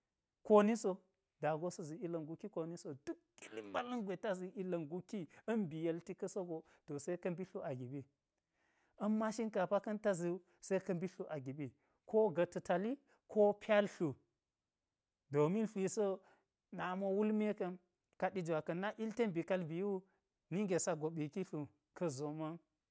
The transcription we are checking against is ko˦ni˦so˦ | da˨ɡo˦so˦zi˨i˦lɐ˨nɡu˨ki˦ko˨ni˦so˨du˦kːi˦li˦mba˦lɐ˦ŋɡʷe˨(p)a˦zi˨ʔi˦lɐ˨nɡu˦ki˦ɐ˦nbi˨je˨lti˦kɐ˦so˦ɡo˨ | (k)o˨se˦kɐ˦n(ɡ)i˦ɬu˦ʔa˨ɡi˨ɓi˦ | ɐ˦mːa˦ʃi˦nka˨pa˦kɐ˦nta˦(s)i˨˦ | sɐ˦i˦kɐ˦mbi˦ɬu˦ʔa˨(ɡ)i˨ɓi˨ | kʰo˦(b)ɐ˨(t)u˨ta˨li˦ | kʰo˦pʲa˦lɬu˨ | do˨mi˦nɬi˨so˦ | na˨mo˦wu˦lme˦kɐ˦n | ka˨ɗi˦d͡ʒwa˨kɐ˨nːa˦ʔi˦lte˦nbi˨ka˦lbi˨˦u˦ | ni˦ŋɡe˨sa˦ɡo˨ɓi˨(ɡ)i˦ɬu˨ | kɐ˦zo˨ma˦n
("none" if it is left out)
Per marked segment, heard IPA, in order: t, t, b, z, ɡ, ɡ, t, k

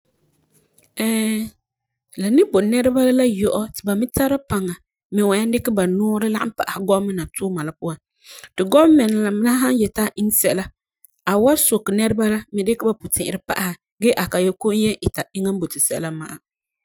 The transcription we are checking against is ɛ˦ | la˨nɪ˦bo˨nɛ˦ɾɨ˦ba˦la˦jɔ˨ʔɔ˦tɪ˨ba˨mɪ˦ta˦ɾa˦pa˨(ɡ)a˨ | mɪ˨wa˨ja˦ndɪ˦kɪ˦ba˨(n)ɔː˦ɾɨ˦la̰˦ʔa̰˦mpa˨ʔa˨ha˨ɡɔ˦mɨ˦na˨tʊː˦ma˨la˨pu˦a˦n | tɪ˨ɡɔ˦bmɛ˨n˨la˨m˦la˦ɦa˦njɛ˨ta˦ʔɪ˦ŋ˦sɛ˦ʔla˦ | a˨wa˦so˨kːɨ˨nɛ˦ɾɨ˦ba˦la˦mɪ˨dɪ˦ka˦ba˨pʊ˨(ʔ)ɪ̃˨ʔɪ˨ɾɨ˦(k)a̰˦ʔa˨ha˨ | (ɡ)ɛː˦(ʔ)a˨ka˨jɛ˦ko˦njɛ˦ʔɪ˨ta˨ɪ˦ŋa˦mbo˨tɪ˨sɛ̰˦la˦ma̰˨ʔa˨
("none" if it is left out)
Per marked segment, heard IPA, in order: ŋ, n, t, p, ɡ, ʔ

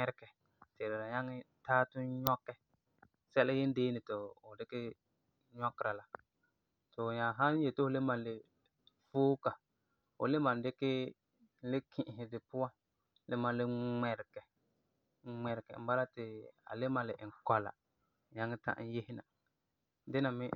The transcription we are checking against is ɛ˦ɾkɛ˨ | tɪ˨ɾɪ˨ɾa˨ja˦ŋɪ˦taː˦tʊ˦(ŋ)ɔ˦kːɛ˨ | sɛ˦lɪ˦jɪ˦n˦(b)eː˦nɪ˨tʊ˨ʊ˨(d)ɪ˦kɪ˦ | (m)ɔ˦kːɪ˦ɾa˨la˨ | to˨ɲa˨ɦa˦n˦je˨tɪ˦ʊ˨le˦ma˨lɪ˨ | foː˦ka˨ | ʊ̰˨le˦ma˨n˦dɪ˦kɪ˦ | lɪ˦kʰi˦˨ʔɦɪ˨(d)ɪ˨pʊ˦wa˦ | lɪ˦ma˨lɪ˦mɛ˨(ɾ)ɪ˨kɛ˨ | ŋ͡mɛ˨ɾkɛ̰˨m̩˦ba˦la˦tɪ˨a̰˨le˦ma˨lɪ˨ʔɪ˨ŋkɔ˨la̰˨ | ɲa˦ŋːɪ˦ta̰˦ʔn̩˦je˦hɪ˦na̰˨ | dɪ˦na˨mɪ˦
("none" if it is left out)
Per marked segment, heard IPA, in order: ɲ, d, d, ɲ, d, ɾ

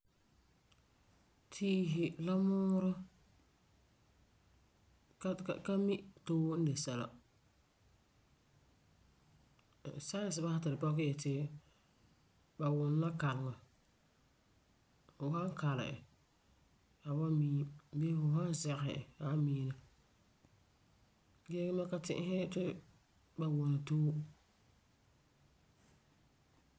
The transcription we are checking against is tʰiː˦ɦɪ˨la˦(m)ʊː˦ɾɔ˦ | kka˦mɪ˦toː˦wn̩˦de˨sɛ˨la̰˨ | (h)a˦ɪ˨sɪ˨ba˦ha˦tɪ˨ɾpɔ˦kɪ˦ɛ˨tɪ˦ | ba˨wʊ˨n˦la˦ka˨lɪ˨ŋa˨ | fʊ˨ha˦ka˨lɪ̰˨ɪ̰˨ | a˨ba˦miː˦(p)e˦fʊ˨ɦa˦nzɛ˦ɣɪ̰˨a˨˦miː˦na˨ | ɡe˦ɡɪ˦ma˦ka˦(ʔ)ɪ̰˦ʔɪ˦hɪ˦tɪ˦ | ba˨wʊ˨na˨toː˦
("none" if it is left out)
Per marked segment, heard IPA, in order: m, s, b, t

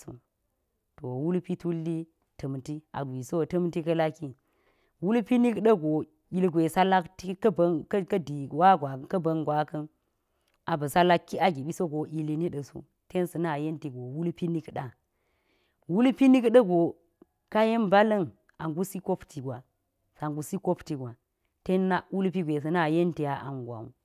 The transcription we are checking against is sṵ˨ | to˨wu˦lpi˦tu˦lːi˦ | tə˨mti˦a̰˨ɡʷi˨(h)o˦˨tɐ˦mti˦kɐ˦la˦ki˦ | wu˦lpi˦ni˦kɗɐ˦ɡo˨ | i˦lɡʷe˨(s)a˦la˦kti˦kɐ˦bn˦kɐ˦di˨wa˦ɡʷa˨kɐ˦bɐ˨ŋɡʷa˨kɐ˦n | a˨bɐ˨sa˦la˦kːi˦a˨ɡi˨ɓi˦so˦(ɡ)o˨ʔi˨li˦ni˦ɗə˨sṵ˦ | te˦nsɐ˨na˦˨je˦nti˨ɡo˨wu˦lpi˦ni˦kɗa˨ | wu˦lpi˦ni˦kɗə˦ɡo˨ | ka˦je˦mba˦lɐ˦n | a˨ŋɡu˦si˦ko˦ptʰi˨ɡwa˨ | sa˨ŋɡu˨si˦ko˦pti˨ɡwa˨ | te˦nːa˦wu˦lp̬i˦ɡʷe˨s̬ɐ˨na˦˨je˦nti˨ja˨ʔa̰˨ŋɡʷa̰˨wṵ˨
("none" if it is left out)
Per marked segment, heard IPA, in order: s, s, ɡ

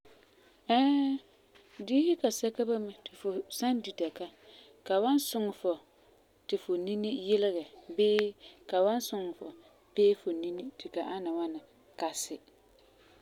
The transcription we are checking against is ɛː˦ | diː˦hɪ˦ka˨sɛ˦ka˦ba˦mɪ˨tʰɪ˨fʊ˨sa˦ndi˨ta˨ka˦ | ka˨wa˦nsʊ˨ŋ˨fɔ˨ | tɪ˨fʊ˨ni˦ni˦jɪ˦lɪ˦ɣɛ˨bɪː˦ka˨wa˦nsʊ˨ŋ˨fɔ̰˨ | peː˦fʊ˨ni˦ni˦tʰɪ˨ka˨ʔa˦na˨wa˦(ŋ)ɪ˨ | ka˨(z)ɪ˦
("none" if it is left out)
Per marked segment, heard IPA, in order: n, s

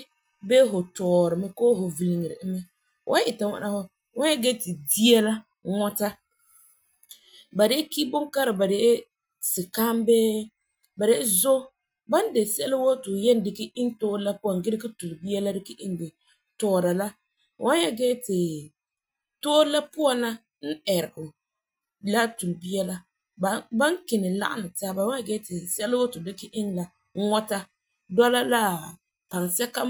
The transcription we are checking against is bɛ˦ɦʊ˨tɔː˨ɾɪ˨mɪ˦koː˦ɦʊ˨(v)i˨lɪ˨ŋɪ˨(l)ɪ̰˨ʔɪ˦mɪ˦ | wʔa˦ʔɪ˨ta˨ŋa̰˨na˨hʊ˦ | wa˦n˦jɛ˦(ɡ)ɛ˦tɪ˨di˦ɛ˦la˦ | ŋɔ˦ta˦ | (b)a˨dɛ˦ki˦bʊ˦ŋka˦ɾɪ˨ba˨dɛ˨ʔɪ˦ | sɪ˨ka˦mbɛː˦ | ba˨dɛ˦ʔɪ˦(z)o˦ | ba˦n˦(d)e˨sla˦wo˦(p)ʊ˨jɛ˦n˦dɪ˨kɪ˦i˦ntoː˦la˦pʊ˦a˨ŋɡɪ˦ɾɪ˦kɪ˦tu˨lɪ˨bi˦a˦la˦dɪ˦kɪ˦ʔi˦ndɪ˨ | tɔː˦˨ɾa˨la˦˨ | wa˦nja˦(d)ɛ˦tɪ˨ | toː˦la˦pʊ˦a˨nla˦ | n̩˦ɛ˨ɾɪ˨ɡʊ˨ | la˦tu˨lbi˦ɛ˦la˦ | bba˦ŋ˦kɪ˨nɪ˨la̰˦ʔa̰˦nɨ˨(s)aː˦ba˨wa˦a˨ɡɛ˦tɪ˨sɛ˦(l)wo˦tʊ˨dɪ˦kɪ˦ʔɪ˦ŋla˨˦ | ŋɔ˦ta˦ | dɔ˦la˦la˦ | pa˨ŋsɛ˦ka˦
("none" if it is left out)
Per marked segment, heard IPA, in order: v, ɾ, ɡ, b, z, d, t, ɡ, t, l

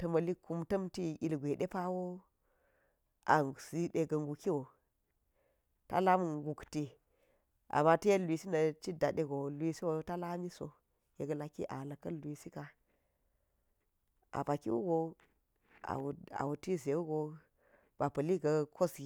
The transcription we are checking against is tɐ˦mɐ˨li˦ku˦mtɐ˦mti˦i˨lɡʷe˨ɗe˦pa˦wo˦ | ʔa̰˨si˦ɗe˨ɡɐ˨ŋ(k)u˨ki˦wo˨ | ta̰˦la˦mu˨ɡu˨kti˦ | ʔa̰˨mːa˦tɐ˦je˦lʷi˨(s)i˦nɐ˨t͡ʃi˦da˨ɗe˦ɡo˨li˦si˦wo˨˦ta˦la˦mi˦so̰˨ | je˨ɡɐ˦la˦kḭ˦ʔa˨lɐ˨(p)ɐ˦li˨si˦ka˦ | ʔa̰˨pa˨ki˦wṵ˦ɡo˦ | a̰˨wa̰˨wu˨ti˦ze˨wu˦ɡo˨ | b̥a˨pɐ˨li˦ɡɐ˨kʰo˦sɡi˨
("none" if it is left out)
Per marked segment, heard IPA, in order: ɡ, s, k

